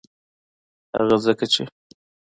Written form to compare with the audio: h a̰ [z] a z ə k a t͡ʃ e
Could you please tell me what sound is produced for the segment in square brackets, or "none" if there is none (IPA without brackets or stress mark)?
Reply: ɣ